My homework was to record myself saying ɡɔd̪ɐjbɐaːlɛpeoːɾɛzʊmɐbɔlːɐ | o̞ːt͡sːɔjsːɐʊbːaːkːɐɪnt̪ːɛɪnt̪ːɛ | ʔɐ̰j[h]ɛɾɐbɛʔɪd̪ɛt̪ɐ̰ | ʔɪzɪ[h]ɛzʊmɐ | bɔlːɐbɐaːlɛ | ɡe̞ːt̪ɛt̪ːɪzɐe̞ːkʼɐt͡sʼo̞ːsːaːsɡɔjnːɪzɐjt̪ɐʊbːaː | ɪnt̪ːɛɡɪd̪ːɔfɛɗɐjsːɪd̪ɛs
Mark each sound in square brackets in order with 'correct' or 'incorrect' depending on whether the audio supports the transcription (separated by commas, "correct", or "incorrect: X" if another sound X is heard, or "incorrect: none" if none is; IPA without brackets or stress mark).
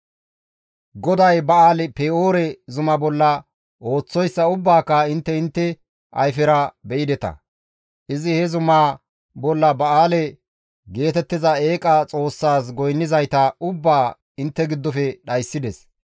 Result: incorrect: f, correct